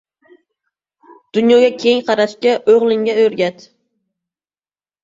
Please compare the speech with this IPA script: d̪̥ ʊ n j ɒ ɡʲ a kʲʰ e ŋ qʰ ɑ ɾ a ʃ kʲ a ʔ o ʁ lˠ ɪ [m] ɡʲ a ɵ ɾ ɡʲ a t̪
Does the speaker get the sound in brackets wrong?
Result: yes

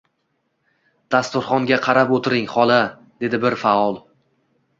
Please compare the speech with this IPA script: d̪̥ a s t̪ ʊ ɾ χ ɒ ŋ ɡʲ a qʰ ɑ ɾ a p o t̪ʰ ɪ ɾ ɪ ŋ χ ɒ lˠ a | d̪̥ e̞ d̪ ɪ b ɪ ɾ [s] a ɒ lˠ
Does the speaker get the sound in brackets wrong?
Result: yes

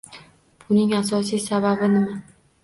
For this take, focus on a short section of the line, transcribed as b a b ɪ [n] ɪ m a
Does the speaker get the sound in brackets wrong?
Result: no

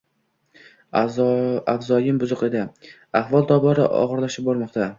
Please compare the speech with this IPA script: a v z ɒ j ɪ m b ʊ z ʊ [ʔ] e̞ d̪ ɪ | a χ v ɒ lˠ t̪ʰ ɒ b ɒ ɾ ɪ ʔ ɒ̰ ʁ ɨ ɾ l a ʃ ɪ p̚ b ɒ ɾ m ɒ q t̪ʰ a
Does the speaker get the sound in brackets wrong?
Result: yes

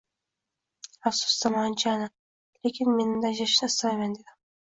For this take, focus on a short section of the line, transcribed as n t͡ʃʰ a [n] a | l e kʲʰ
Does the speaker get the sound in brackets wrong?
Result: no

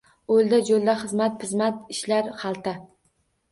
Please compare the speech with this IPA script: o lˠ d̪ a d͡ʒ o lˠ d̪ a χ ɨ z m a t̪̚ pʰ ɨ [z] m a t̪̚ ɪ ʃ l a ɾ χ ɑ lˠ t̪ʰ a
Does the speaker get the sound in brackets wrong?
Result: no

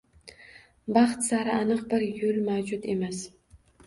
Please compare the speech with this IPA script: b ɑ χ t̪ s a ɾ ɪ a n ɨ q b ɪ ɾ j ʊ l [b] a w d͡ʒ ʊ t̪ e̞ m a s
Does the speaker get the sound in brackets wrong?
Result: yes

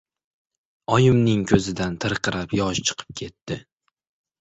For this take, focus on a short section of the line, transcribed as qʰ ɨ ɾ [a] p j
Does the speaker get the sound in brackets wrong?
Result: no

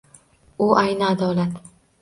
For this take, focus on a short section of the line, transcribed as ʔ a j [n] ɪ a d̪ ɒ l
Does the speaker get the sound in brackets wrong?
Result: no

